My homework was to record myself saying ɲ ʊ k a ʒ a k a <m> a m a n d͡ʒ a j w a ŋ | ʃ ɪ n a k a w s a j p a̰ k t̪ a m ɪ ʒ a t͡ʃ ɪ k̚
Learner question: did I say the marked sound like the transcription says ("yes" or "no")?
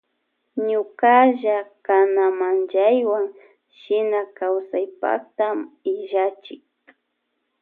no